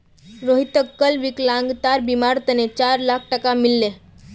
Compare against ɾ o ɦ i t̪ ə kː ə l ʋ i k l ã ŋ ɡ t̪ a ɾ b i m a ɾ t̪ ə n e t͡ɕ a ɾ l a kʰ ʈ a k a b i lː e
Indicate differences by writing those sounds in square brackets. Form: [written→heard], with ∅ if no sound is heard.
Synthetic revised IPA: ɾ o ɦ i t̪ ə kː ə l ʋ i k l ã ŋ ɡ t̪ a ɾ b i m a ɾ t̪ ə n e t͡ɕ a ɾ l a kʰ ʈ [a→ə] k a [b→m] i lː e